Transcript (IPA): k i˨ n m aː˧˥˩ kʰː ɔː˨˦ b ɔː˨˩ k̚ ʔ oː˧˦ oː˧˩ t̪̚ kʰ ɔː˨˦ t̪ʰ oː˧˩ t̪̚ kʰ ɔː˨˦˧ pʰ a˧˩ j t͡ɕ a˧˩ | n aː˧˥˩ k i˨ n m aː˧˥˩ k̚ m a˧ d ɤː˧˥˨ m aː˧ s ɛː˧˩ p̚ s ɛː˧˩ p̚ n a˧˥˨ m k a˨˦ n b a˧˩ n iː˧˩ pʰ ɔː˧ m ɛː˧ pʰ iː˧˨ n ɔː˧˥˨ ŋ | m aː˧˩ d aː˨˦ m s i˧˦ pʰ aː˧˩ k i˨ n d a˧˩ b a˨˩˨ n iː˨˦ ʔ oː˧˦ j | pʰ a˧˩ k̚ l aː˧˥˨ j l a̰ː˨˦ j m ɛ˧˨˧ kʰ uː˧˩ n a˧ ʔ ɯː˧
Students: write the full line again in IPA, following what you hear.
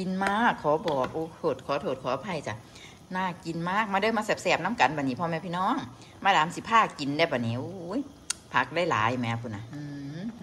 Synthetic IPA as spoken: k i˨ n m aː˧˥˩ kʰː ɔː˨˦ b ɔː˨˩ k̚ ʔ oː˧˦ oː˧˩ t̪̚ kʰ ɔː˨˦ t̪ʰ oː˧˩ t̪̚ kʰ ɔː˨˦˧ pʰ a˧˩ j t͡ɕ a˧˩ | n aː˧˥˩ k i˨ n m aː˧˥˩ k̚ m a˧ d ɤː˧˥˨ m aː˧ s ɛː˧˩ p̚ s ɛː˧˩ p̚ n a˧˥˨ m k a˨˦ n b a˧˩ n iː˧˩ pʰ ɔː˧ m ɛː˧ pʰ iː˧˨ n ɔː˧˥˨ ŋ | m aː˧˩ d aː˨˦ m s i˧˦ pʰ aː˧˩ k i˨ n d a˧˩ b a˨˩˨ n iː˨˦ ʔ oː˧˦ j | pʰ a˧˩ k̚ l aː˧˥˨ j l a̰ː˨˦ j m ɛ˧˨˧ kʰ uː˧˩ n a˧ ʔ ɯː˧